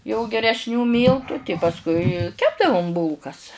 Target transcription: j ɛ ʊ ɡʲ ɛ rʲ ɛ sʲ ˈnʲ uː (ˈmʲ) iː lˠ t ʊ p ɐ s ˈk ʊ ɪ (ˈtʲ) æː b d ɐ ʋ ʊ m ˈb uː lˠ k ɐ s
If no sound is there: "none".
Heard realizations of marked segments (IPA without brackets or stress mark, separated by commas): mʲ, kʲ